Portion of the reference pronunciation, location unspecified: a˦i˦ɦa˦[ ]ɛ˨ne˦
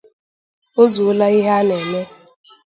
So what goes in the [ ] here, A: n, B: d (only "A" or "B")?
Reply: A